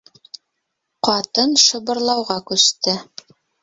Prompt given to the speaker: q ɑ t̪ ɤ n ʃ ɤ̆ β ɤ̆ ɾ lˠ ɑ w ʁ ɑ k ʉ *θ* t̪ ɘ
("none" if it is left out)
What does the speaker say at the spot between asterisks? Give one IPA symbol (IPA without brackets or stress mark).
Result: s